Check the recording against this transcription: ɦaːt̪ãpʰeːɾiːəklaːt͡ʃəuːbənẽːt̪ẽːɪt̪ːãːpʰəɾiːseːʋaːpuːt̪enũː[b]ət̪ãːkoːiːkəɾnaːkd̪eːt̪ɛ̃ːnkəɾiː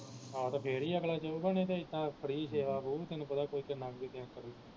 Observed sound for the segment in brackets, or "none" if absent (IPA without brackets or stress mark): p